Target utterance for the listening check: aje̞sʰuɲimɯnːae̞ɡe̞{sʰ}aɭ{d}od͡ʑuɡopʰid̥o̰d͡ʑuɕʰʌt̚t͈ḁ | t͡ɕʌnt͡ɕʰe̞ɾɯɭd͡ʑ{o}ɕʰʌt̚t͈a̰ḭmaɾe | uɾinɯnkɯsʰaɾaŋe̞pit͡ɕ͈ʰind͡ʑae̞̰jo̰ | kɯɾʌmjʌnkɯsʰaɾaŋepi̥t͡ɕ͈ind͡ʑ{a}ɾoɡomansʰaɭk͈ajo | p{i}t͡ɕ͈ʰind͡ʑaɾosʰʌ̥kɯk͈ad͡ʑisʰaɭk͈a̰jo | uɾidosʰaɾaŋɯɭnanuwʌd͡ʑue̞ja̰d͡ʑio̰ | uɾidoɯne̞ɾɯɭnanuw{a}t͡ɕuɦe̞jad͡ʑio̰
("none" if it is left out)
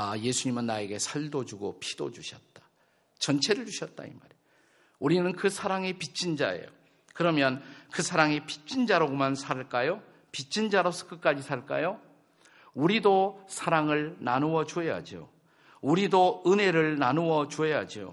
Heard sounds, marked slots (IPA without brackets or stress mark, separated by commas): sʰ, d, u, a, i, ʌ